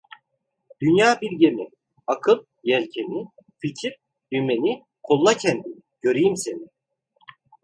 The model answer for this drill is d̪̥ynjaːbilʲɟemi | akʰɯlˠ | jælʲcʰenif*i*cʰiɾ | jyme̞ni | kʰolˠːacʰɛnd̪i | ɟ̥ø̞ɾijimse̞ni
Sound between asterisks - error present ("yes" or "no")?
no